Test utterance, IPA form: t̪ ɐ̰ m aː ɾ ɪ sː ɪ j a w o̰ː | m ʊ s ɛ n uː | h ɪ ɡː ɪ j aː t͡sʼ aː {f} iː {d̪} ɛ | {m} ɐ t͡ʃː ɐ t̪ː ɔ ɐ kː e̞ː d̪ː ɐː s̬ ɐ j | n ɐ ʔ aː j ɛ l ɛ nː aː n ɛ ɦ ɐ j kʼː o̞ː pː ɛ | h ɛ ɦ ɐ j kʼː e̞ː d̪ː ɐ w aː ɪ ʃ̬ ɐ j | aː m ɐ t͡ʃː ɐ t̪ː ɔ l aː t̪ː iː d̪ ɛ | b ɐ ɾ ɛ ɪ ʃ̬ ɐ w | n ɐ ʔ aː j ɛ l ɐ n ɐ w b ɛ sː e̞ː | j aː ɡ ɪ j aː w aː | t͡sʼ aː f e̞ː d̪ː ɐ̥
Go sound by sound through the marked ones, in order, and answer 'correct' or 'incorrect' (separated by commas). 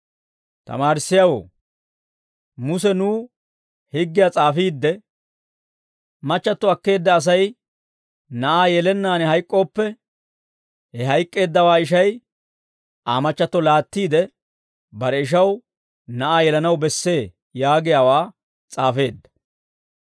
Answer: correct, incorrect, correct